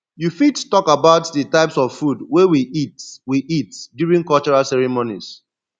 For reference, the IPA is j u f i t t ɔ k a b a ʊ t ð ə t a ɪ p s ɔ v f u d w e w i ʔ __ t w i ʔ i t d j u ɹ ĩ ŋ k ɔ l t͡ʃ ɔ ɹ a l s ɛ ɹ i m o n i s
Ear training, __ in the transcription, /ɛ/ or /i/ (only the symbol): i